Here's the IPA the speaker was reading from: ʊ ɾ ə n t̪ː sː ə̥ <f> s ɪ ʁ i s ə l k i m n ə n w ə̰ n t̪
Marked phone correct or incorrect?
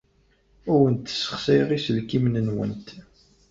incorrect: χ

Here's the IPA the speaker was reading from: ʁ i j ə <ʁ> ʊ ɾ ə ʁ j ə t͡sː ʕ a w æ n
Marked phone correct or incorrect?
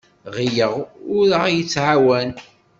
correct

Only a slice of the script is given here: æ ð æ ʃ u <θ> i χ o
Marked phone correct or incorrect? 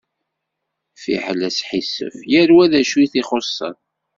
correct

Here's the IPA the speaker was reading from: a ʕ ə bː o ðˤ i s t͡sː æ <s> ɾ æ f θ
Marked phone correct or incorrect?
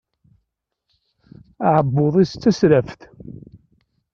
correct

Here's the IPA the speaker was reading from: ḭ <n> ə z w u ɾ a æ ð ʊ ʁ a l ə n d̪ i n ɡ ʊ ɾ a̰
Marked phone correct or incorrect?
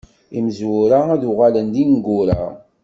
incorrect: m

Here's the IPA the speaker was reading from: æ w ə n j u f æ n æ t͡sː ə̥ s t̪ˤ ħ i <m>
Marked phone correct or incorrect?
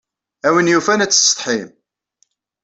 correct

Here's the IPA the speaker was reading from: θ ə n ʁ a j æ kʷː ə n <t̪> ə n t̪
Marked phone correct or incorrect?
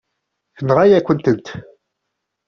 correct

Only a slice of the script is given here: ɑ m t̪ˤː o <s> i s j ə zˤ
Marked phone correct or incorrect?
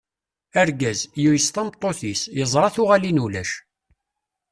incorrect: θ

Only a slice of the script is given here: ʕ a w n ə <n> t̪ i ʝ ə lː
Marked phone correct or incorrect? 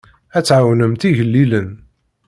incorrect: m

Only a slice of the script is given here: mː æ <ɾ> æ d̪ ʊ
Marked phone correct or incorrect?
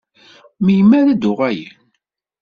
correct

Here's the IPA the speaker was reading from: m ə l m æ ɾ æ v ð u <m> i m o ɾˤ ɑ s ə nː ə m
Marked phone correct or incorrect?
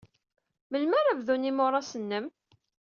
incorrect: n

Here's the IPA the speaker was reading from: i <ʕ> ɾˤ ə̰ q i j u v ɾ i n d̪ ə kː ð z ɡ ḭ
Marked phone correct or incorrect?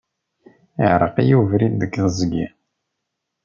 correct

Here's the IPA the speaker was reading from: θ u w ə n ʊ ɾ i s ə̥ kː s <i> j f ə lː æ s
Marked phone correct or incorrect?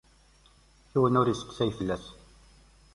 incorrect: æ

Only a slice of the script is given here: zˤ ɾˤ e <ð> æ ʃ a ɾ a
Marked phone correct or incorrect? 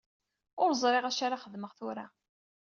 incorrect: ʁ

